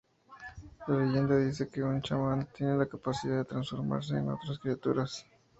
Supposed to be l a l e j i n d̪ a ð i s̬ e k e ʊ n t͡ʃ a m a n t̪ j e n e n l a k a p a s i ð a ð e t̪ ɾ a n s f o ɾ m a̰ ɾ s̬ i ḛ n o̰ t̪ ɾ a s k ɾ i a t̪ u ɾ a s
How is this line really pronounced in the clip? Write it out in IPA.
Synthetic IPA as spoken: l a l e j e n d̪ a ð i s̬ e k e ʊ n t͡ʃ a m a n t̪ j e n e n l a k a p a s i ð a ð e t̪ ɾ a n s f o ɾ m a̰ ɾ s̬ e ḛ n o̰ t̪ ɾ a s k ɾ i a t̪ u ɾ a s